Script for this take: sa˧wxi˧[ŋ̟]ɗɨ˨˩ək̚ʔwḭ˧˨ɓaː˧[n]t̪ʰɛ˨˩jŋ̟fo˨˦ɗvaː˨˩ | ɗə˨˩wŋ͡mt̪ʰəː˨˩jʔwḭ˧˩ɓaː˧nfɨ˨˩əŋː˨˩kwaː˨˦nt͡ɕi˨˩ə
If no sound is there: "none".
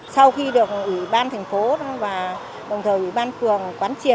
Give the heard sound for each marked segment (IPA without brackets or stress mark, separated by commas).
none, n